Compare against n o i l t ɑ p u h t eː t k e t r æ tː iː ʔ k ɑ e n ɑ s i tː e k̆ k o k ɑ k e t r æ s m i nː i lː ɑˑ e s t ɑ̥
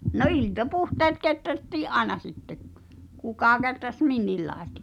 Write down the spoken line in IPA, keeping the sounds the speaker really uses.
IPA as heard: n o i l t ɑ p u h t eː t k e t r æ tː iː ʔ ʔ ɑ e n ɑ s i tː e k̆ k u k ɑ k e t r æ s m i nː i lː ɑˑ e s t ɑ̥